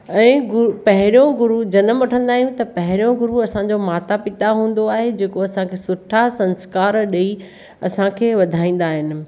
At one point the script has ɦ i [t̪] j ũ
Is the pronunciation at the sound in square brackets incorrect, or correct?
incorrect